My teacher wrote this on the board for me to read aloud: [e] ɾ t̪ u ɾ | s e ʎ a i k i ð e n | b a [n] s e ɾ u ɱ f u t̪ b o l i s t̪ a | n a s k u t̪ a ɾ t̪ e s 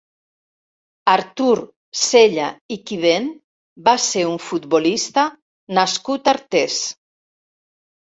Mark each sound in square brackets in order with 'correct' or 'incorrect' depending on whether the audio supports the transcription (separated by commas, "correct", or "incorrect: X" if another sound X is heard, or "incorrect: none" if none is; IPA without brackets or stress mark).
incorrect: a, incorrect: none